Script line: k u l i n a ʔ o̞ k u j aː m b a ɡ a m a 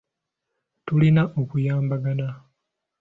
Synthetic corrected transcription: t u l i n a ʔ o̞ k u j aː m b a ɡ a n a